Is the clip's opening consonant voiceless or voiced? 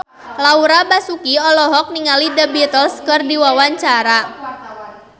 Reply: voiced